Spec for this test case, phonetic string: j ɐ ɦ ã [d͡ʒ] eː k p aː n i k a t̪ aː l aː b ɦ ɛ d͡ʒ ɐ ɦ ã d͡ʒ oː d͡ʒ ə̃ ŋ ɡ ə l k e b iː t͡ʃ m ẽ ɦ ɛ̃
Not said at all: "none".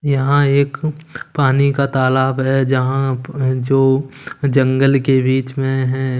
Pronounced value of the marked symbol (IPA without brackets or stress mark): none